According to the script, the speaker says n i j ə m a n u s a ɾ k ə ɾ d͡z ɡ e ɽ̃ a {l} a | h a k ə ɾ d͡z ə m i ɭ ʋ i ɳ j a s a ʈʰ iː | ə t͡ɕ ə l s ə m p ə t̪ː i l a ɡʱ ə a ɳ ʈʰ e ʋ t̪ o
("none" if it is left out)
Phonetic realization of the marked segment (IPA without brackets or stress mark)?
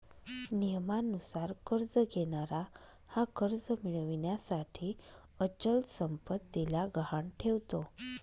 ɾ